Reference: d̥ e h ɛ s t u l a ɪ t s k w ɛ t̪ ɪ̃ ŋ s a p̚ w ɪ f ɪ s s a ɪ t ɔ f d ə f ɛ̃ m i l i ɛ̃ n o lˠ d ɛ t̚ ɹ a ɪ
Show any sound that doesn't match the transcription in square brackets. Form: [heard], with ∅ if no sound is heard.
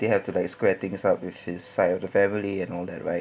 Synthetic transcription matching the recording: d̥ e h ɛ [f] t u l a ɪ [k] s k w ɛ t̪ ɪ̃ ŋ s a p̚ w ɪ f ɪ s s a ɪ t ɔ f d ə f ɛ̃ m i l i ɛ̃ n [ɔ] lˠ d ɛ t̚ ɹ a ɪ